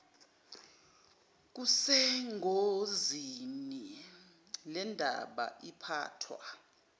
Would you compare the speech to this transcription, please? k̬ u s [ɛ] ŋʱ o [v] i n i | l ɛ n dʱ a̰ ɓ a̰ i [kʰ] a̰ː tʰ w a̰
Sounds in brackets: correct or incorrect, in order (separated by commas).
correct, incorrect, incorrect